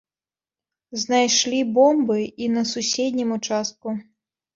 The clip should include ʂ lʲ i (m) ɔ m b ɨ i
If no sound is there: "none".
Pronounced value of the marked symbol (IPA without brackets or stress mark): b